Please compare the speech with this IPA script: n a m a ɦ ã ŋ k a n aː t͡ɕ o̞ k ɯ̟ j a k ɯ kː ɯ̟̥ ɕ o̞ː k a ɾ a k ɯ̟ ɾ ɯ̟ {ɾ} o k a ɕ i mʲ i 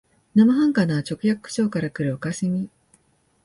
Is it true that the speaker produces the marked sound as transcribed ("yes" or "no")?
no